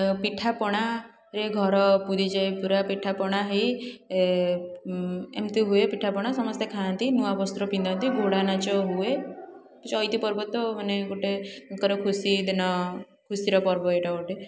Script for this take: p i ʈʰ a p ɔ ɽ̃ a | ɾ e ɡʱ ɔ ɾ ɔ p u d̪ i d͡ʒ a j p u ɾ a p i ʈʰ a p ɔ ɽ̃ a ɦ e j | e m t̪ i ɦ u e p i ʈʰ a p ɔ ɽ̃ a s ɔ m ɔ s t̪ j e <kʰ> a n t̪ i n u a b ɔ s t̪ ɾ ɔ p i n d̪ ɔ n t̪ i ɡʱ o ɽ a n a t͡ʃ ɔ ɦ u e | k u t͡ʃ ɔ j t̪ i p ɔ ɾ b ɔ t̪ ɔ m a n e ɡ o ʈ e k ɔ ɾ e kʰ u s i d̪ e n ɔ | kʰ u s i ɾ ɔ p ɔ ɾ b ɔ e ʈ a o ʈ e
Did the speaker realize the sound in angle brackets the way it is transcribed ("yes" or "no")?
yes